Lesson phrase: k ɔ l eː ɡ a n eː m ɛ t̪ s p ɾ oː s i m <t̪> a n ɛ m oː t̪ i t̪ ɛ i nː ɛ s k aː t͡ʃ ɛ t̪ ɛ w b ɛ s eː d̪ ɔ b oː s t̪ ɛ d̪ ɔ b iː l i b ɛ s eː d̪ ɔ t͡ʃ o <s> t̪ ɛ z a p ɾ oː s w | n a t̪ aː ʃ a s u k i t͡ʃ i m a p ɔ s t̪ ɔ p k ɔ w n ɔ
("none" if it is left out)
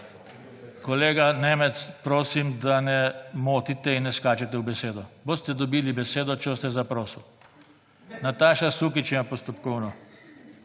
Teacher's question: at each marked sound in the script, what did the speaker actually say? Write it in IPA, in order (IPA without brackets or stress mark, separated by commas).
d̪, s